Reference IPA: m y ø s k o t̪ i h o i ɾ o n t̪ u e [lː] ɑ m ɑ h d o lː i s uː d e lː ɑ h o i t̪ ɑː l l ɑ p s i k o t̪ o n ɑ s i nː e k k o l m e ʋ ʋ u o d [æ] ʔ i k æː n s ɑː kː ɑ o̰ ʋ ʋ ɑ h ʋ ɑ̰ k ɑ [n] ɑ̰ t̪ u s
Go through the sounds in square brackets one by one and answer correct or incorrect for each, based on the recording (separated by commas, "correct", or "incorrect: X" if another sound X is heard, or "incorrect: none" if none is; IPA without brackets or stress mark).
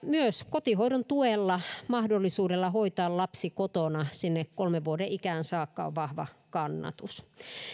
correct, incorrect: e, incorrect: nː